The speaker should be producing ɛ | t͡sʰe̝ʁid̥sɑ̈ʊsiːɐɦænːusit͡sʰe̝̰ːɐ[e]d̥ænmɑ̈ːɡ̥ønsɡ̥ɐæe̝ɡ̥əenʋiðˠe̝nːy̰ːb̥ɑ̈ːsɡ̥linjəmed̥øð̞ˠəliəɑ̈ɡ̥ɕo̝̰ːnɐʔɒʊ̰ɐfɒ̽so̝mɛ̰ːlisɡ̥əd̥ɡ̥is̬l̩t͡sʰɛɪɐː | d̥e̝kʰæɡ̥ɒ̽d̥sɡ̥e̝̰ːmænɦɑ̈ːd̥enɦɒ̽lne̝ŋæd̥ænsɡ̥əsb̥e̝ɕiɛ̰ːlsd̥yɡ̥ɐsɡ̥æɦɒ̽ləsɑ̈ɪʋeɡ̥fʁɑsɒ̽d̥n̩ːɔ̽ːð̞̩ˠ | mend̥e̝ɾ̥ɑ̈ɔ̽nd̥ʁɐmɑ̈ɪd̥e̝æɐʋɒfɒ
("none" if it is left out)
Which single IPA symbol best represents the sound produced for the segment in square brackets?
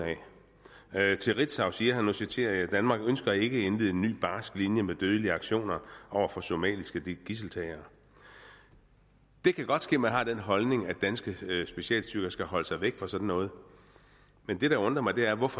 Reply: æ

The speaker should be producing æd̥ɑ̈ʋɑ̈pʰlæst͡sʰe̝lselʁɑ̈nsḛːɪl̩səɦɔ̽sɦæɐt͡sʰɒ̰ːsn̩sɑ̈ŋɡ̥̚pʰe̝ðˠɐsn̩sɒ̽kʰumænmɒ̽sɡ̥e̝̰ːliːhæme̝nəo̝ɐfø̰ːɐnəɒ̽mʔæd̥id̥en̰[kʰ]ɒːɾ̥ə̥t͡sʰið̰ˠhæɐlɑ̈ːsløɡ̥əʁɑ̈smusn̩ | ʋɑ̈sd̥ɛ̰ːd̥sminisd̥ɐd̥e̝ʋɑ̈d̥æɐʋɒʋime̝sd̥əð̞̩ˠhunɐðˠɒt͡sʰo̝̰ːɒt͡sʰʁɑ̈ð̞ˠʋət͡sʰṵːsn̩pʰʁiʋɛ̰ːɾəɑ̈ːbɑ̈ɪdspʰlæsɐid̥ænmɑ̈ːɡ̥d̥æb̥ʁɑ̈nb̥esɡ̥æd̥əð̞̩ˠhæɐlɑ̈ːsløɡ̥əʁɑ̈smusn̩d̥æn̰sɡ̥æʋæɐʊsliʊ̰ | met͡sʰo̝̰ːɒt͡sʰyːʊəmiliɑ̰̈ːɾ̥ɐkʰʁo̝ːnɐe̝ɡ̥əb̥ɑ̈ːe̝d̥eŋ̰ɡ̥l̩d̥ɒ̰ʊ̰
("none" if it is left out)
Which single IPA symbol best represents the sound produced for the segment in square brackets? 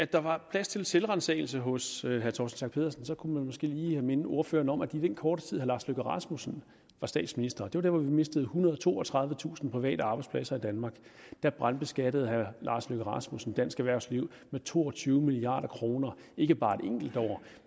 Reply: kʰ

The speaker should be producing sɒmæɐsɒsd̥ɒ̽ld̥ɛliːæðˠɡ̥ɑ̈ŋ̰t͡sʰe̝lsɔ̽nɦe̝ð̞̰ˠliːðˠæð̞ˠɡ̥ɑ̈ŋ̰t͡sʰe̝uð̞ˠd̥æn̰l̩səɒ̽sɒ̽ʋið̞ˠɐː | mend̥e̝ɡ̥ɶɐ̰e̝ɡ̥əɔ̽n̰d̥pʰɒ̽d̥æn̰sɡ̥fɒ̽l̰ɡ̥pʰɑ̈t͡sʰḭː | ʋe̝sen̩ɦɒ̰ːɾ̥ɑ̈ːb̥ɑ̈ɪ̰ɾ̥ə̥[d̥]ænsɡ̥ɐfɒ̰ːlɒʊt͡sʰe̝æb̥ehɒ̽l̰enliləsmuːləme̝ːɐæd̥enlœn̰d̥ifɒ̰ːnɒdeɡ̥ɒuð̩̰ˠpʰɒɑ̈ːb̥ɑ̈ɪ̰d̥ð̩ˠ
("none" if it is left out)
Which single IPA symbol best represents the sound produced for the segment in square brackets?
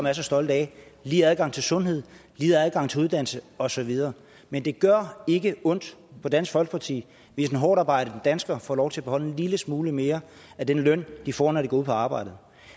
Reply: d̥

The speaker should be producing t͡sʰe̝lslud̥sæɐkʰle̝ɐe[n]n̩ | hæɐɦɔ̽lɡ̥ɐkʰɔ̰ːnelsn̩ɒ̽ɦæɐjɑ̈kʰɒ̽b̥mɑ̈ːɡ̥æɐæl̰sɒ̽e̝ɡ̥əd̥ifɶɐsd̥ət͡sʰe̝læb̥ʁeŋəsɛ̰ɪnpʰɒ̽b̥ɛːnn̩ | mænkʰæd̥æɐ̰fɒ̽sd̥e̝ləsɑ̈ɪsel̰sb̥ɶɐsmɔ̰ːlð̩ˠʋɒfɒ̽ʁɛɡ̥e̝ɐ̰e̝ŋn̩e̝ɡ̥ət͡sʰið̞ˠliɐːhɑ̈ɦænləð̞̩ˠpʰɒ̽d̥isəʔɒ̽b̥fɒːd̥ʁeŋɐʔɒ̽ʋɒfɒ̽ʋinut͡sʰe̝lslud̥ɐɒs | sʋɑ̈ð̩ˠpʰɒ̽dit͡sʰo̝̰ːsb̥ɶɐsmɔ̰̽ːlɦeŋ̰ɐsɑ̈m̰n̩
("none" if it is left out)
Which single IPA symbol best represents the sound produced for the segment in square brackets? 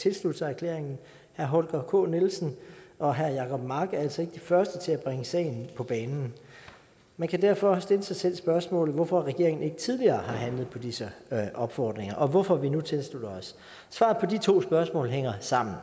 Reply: ŋ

